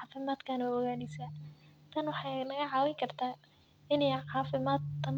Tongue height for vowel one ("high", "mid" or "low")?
high